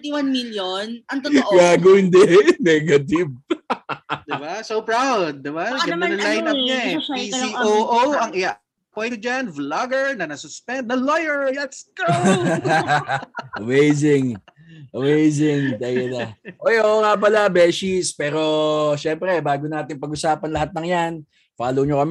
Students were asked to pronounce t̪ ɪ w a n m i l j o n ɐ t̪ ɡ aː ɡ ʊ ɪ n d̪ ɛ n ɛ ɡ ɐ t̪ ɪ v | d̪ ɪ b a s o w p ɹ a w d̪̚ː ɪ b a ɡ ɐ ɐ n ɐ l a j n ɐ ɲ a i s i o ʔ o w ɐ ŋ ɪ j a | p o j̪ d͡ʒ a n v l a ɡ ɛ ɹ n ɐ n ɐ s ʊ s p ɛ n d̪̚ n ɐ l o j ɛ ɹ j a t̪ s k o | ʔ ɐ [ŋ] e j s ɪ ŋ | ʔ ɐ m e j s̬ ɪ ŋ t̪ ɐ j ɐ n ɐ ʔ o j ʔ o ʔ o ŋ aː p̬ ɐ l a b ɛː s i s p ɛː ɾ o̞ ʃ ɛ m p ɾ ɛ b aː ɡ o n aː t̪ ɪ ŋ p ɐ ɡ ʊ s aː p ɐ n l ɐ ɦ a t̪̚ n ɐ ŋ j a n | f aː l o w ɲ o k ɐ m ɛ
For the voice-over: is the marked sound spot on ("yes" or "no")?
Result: no